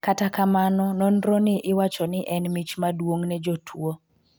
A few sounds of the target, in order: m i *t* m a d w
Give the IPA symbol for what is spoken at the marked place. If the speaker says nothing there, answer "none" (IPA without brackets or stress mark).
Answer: t͡ʃ